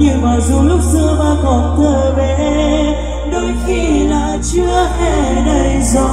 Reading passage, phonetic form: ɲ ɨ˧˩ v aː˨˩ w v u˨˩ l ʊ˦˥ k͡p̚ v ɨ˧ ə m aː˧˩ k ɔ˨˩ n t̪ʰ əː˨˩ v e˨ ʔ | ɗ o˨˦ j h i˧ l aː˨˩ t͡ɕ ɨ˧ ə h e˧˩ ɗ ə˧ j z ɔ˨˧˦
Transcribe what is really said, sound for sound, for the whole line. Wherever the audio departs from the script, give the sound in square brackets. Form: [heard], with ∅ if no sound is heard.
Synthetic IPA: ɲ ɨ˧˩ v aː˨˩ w [z] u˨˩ l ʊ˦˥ k͡p̚ [z] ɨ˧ ə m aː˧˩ k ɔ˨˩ n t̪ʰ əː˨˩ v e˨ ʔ | ɗ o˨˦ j [x] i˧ l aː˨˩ t͡ɕ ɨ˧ ə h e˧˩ ɗ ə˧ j z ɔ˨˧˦